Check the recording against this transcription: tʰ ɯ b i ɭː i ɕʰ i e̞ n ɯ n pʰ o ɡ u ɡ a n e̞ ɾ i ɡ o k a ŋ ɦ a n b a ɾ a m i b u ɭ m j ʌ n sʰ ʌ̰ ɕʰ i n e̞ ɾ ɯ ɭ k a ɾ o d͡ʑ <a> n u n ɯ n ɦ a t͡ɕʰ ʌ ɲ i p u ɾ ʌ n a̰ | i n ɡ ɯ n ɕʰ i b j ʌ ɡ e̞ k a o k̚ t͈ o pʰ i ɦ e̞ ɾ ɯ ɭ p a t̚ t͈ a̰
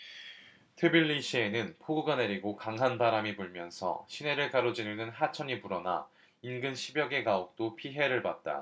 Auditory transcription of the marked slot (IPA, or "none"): i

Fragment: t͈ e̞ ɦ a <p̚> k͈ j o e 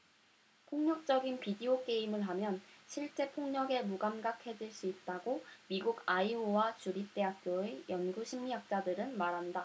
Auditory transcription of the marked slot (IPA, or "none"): k̚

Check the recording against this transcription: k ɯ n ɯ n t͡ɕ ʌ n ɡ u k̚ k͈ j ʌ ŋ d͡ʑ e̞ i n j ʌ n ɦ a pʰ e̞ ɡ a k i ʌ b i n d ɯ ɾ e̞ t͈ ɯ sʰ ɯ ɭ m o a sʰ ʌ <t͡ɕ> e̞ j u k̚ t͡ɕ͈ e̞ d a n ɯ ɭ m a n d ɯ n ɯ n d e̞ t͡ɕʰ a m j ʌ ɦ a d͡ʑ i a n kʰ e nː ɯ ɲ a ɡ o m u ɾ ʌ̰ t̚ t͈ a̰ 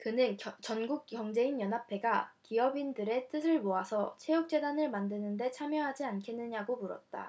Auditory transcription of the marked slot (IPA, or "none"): t͡ɕʰ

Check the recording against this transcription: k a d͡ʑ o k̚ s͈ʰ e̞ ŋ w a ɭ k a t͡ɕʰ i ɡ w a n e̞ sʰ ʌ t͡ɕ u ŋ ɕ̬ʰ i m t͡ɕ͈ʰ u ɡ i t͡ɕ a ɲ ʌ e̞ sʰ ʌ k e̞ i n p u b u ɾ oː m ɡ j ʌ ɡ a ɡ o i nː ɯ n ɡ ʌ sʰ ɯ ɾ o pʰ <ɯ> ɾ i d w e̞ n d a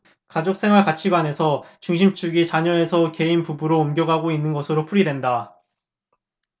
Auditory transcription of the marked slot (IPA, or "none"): u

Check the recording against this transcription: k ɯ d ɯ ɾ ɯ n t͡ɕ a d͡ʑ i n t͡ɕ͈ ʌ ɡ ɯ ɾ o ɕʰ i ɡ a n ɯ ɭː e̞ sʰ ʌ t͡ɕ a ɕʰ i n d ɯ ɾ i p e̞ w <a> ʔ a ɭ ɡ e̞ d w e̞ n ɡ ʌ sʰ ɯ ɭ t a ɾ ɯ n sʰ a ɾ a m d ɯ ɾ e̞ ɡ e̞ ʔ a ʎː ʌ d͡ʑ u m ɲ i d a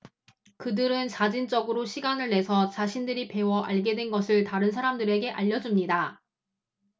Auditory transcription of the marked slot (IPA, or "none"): ʌ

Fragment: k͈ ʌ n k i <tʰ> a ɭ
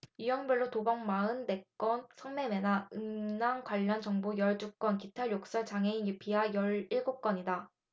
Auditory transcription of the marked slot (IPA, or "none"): tʰ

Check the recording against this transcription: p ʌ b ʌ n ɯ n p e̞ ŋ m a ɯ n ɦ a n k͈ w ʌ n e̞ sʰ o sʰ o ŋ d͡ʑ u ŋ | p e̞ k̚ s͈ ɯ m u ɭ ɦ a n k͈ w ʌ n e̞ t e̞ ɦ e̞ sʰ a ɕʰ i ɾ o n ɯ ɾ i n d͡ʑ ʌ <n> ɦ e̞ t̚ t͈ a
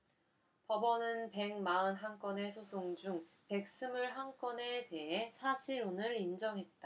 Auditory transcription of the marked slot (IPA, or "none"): ŋ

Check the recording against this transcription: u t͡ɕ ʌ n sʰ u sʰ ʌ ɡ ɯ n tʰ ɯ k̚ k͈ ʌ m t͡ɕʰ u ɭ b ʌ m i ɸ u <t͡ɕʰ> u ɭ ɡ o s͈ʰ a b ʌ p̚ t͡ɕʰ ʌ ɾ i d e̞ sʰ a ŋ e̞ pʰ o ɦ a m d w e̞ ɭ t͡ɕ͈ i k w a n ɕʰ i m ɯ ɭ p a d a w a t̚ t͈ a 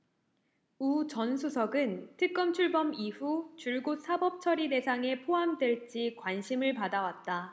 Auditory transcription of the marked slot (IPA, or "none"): t͡ɕ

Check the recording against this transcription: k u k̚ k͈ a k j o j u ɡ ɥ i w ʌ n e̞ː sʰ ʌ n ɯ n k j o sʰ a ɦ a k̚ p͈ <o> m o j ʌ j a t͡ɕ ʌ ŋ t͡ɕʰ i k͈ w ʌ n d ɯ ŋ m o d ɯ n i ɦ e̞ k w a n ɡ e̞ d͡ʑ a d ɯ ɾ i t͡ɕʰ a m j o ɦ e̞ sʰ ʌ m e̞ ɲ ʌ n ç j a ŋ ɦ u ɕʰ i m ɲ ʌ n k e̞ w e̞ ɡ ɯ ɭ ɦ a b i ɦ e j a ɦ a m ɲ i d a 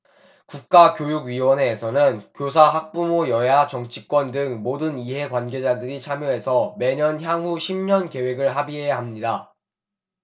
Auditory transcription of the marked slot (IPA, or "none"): u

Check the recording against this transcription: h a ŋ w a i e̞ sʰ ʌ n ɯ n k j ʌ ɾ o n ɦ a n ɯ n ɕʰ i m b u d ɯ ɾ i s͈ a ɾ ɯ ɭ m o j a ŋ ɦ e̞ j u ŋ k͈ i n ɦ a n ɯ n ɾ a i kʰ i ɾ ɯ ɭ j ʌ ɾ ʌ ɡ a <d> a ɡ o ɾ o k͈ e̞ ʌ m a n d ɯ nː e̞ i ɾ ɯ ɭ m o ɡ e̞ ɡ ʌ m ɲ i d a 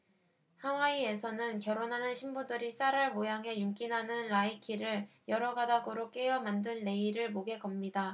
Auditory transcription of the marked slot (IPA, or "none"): d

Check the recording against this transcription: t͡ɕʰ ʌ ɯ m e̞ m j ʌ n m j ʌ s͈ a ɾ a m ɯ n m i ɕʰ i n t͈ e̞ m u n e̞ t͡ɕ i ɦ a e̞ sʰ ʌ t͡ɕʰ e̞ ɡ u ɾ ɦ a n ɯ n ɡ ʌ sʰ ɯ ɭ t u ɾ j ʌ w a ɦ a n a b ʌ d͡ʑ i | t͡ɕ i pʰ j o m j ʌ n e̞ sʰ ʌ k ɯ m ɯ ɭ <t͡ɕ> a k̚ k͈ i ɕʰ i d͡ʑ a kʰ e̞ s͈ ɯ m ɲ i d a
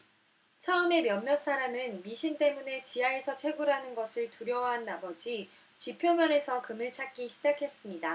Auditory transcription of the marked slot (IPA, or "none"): t͡ɕʰ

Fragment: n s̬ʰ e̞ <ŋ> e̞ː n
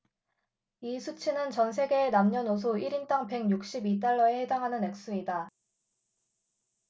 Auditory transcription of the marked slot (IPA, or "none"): ɡ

